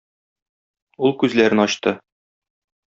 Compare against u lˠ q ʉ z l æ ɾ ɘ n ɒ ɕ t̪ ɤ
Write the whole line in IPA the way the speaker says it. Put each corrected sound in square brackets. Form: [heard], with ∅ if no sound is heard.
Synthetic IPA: u lˠ [k] ʉ z l æ ɾ ɘ n ɒ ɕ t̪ ɤ